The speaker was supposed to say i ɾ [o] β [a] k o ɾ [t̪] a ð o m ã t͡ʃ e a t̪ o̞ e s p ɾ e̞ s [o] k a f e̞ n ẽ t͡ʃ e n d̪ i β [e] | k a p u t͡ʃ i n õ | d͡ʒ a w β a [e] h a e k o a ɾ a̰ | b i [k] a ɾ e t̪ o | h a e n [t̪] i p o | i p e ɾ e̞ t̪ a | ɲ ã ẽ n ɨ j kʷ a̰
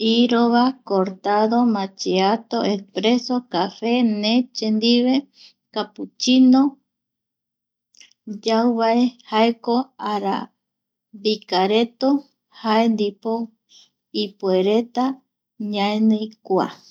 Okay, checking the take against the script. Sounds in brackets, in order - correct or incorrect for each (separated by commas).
correct, correct, correct, correct, correct, correct, correct, incorrect